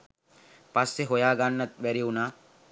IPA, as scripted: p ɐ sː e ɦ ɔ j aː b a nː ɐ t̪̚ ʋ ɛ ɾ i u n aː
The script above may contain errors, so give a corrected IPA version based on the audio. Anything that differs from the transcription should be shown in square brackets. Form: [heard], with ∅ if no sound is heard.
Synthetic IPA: p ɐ sː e ɦ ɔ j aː [ɡ] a nː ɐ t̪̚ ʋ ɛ ɾ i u n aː